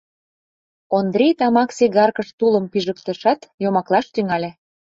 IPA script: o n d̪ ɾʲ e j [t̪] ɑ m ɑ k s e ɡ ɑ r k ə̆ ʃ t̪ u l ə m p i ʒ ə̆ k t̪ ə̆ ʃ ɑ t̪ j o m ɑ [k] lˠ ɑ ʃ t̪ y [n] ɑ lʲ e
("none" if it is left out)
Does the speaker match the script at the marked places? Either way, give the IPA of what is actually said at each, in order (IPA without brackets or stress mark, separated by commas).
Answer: t̪, k, ŋ